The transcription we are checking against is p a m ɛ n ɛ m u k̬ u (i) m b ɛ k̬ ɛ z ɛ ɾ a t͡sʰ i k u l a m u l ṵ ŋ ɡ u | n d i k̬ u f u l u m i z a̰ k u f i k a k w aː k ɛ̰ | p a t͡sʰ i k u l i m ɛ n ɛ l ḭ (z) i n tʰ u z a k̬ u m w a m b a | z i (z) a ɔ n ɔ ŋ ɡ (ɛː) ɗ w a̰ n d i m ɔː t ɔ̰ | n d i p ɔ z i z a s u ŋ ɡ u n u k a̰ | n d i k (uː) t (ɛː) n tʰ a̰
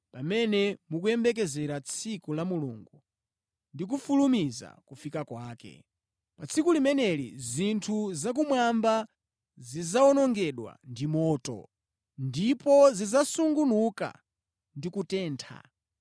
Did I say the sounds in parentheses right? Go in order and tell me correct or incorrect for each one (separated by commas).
incorrect, correct, correct, incorrect, incorrect, correct